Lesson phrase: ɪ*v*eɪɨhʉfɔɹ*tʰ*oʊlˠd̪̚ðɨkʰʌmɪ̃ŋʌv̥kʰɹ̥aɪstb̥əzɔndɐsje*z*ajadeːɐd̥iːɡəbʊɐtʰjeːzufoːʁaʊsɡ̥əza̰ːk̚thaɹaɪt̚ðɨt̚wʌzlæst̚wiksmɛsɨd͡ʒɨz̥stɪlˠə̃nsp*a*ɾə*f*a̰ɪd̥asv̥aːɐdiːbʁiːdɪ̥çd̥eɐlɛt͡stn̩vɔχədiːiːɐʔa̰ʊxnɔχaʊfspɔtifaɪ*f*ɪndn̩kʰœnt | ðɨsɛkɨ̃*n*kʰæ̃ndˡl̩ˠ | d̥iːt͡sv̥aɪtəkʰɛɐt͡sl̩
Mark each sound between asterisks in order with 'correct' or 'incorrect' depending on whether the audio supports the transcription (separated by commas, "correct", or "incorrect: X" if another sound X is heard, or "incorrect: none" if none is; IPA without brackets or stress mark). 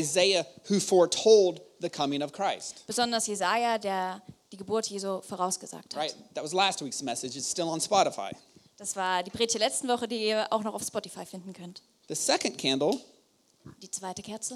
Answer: incorrect: z, correct, correct, incorrect: ɑ, correct, correct, correct